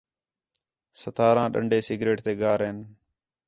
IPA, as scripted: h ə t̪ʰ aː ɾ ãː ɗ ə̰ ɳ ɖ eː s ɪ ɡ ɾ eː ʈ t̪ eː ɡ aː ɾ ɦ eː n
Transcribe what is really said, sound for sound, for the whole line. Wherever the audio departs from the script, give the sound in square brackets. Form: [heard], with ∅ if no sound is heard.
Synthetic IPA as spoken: [s] ə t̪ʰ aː ɾ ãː ɗ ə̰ ɳ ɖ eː s ɪ ɡ ɾ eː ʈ t̪ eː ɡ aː ɾ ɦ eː n

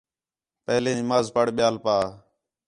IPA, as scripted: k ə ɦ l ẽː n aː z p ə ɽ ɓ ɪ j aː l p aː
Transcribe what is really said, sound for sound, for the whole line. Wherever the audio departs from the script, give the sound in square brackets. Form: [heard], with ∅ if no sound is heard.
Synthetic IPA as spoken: [p] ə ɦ l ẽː [m] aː z p ə ɽ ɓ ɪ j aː l p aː

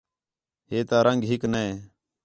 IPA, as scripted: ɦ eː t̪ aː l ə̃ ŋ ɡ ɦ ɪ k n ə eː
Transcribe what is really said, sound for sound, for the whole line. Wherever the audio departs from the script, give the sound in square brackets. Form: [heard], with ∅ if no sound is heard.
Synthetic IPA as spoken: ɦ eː t̪ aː [ɾ] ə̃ ŋ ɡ ɦ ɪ k n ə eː

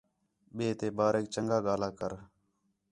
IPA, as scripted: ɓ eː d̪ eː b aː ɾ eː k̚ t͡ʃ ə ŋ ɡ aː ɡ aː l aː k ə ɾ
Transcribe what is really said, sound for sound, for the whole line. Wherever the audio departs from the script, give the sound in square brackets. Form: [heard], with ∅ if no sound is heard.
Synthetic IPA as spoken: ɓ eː [t̪] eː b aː ɾ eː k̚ t͡ʃ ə ŋ ɡ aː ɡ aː l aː k ə ɾ

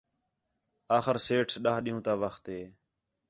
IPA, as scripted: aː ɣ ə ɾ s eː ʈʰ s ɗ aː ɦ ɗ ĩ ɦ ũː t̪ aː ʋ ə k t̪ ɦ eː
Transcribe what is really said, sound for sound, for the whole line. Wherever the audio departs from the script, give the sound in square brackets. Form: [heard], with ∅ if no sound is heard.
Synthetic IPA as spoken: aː [x] ə ɾ s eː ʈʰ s ɗ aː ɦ ɗ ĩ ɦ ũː t̪ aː ʋ ə [x] t̪ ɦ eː

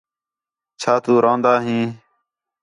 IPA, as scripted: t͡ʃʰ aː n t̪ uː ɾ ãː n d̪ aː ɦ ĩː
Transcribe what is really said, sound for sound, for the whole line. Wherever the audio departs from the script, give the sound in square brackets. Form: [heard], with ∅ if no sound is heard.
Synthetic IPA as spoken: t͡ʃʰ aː [∅] t̪ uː ɾ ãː n d̪ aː ɦ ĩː

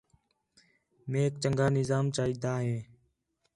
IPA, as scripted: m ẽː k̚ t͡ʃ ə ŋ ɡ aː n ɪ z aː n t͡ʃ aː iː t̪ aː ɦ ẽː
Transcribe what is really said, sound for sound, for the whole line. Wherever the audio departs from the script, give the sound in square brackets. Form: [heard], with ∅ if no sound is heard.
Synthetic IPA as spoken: m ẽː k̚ t͡ʃ ə ŋ ɡ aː n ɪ z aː [m] t͡ʃ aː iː [d̪] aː ɦ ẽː

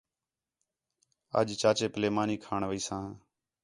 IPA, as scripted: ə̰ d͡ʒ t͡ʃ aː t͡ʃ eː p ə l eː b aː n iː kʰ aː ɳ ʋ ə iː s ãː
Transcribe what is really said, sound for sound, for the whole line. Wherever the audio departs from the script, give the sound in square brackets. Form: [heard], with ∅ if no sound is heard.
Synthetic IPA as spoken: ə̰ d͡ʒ t͡ʃ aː t͡ʃ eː p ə l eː [m] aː n iː kʰ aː ɳ ʋ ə iː s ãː

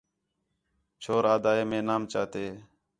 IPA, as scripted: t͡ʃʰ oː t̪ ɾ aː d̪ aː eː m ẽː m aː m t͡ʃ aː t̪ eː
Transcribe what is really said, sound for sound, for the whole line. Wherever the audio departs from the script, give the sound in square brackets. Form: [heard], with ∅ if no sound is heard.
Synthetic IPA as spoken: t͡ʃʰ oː [∅] ɾ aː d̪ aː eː m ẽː [n] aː m t͡ʃ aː t̪ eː

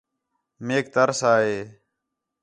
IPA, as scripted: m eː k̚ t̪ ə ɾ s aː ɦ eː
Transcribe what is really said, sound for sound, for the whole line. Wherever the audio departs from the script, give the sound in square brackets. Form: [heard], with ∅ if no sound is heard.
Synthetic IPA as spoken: m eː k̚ t̪ ə ɾ s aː ɦ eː

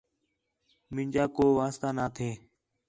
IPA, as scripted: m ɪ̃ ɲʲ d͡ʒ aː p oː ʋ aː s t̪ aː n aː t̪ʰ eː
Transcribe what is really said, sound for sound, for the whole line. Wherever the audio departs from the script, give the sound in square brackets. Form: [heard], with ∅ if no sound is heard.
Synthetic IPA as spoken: m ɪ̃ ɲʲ d͡ʒ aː [k] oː ʋ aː s t̪ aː n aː t̪ʰ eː

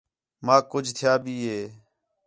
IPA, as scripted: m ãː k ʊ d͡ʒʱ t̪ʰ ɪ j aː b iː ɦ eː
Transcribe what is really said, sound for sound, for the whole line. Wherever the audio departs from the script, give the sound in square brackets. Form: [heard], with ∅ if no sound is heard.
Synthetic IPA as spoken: m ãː k ʊ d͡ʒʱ t̪ʰ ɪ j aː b iː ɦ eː

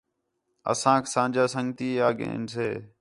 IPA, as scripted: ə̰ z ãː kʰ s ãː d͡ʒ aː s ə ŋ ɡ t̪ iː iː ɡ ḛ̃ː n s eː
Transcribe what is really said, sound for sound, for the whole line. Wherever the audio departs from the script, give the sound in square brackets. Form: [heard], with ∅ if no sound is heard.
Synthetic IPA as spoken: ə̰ [s] ãː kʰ s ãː d͡ʒ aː s ə ŋ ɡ t̪ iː [aː] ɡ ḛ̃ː n s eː

